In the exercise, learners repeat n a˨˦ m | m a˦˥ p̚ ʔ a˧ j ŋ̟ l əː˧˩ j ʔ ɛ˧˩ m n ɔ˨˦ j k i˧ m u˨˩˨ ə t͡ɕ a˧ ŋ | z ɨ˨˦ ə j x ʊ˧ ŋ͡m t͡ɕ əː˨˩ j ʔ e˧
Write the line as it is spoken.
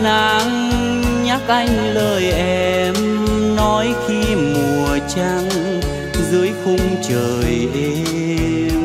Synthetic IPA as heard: n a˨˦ ŋ | ɲ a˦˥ k̚ ʔ a˧ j ŋ̟ l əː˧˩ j ʔ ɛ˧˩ m n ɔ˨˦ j x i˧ m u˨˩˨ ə t͡ɕ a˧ ŋ | z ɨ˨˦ ə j x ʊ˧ ŋ͡m t͡ɕ əː˨˩ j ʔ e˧